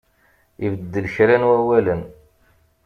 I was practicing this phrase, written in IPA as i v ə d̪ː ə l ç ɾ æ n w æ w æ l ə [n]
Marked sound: correct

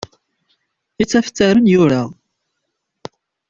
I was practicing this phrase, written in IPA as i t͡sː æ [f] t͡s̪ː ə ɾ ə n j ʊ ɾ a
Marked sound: correct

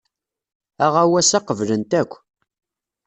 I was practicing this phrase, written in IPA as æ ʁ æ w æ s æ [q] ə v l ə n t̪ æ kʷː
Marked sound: correct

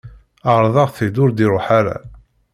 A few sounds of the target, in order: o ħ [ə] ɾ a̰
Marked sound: incorrect: a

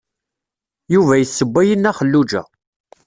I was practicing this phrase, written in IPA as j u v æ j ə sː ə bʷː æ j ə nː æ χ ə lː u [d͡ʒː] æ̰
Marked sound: incorrect: d͡ʒ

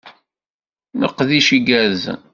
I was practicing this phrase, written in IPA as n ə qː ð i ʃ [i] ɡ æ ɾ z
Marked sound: correct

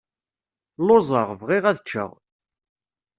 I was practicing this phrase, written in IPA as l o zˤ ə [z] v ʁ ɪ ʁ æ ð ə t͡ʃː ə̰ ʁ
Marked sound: incorrect: ʁ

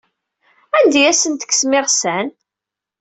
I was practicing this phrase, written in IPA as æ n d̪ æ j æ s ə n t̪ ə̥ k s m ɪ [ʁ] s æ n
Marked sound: correct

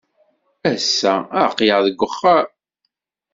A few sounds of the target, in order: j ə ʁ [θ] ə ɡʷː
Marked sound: incorrect: ð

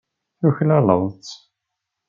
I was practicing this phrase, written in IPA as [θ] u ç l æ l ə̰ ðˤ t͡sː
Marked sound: correct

